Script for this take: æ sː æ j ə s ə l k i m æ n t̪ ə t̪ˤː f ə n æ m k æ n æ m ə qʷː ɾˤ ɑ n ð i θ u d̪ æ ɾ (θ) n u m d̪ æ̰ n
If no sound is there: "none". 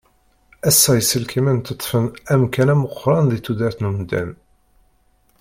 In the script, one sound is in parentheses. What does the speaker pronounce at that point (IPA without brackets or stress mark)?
θ